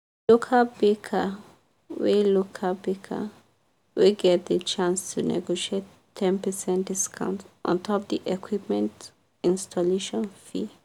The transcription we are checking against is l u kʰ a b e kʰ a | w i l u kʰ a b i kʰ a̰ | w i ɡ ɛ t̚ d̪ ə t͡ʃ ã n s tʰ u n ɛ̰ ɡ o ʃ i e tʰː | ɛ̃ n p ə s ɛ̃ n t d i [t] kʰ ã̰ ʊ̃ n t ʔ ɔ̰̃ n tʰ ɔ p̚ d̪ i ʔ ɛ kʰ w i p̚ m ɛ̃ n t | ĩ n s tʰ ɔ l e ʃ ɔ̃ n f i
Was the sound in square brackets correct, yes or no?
no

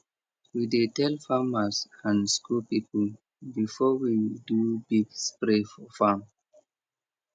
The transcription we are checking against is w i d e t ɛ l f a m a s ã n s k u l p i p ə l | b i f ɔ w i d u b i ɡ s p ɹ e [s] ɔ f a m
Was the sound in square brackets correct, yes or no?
no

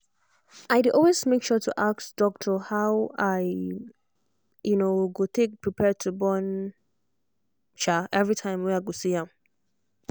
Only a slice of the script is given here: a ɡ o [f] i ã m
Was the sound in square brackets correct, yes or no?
no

